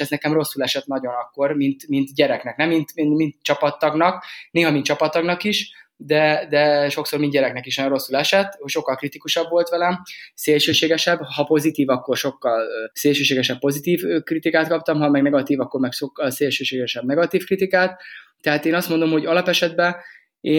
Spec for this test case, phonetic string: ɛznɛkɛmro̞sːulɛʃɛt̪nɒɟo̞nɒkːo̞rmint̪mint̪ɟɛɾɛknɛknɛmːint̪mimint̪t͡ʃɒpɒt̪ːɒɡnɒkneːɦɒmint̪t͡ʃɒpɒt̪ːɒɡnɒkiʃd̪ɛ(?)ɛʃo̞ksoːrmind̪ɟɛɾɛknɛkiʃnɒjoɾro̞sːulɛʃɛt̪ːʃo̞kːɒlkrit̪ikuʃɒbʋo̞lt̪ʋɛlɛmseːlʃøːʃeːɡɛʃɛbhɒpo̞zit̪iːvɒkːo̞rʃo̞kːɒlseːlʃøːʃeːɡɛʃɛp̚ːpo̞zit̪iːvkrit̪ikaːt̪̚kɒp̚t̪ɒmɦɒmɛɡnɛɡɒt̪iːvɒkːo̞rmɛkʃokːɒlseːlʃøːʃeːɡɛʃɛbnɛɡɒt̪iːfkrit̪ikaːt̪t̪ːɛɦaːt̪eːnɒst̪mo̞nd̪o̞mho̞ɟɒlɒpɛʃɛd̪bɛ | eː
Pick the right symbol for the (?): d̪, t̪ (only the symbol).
d̪